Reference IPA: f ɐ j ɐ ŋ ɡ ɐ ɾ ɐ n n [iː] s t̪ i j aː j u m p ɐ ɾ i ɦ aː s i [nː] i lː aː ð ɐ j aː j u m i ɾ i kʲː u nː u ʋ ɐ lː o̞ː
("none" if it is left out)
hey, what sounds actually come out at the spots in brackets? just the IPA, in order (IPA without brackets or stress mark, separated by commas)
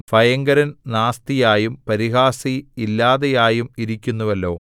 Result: aː, none